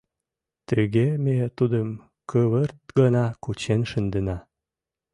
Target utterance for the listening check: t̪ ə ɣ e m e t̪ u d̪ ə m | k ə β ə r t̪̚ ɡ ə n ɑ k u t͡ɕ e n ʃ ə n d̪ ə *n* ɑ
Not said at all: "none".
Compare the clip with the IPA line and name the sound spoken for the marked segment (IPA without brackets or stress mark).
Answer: n